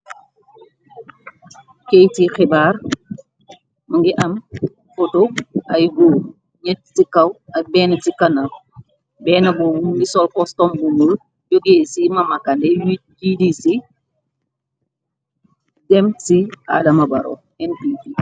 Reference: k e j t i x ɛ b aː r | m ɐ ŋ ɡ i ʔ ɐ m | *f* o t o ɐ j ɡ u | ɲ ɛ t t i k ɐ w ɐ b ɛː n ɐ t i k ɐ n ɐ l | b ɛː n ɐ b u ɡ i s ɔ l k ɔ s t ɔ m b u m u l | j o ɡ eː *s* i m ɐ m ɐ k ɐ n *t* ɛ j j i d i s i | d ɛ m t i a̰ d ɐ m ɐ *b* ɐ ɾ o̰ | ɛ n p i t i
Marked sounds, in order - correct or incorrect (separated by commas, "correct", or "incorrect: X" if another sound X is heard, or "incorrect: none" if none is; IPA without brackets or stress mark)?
correct, correct, incorrect: d, correct